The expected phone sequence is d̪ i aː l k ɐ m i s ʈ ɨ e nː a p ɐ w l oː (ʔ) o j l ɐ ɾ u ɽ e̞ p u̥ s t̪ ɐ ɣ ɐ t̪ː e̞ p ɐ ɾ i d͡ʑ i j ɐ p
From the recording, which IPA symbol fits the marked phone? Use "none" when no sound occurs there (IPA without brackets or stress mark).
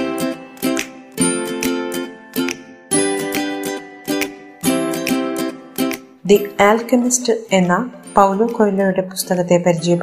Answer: k